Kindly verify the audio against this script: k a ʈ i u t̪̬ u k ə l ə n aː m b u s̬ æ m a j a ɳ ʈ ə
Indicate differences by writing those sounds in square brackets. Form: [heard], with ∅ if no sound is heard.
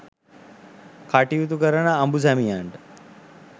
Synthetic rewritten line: k a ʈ i u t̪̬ u k ə [ɾ] ə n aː m b u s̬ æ m [i] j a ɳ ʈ ə